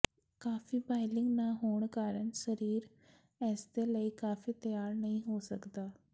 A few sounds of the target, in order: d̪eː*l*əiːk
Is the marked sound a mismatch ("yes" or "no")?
no